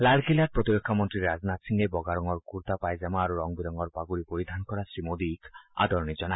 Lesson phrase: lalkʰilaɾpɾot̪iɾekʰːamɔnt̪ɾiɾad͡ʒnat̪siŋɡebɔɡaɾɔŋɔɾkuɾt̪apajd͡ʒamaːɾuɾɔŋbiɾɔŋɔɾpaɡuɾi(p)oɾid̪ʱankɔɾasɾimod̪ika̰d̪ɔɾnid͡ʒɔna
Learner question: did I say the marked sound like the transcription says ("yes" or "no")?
yes